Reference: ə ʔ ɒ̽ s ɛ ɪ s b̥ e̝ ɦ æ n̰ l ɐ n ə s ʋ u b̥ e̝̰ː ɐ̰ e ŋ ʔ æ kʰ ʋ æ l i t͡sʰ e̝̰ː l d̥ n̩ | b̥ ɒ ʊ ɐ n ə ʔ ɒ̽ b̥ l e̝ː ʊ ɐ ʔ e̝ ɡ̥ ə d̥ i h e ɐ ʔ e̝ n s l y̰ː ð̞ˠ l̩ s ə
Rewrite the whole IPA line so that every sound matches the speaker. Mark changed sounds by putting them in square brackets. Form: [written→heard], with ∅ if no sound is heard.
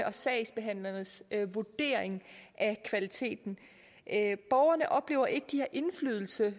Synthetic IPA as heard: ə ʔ ɒ̽ s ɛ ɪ s b̥ e̝ ɦ æ n̰ l ɐ n ə s ʋ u [b̥→d̥] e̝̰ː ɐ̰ e ŋ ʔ æ kʰ ʋ æ l i t͡sʰ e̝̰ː [l→∅] d̥ n̩ | b̥ ɒ ʊ ɐ n ə ʔ ɒ̽ b̥ l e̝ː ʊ ɐ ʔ e̝ ɡ̥ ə d̥ i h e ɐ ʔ e̝ n [s→f] l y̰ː ð̞ˠ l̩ s ə